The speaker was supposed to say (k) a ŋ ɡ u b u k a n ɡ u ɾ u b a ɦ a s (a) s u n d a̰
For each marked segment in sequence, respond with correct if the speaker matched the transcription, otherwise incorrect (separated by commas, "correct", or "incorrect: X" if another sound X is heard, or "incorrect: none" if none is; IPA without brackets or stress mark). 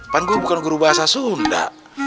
incorrect: p, correct